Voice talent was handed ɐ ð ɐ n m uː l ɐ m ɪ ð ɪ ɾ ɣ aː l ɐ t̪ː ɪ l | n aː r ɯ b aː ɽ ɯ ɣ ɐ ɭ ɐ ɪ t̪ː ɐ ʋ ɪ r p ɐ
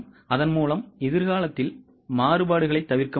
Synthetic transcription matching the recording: ɐ ð ɐ n m uː l ɐ m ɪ ð ɪ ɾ ɣ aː l ɐ t̪ː ɪ l | m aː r ɯ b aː ɽ ɯ ɣ ɐ ɭ ɐ ɪ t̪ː ɐ ʋ ɪ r k ɐ

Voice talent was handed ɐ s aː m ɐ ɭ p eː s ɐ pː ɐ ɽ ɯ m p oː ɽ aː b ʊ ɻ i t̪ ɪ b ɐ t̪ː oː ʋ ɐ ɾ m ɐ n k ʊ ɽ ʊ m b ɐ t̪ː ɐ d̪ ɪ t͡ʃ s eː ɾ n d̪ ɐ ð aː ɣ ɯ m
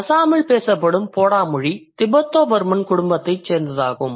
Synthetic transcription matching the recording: ɐ s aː m ɐ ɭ p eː s ɐ pː ɐ ɽ ɯ m p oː ɽ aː m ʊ ɻ i t̪ ɪ b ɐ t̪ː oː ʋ ɐ ɾ m ɐ n k ʊ ɽ ʊ m b ɐ t̪ː ɐ ɪ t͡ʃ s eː ɾ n d̪ ɐ ð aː ɣ ɯ m

